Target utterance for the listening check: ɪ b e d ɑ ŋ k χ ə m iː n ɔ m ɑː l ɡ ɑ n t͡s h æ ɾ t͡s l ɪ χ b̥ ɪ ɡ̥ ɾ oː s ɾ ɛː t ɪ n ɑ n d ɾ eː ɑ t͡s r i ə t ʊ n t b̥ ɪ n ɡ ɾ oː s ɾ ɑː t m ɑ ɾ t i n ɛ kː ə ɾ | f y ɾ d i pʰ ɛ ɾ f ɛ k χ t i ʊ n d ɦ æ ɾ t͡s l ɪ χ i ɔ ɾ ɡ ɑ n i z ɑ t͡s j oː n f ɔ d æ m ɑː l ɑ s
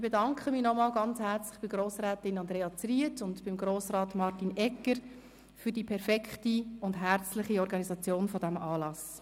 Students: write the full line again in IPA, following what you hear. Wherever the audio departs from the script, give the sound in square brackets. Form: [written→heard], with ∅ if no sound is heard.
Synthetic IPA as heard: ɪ b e d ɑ ŋ k χ ə m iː n ɔ m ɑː l ɡ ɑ n t͡s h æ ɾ t͡s l ɪ χ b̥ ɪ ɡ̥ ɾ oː s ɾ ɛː t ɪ n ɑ n d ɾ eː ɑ t͡s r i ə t ʊ n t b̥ ɪ [n→m] ɡ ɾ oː s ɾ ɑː t m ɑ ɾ t i n ɛ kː ə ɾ | f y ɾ d i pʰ ɛ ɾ f ɛ k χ t i ʊ n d ɦ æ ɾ t͡s l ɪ χ i ɔ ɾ ɡ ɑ n i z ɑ t͡s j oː n f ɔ d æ m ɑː l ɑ s